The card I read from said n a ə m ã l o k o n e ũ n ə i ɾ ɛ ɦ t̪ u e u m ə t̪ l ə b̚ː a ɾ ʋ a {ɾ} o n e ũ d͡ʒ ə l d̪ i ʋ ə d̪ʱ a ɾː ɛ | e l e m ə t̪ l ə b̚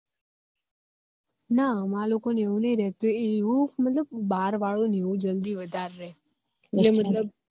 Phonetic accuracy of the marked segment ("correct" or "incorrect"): incorrect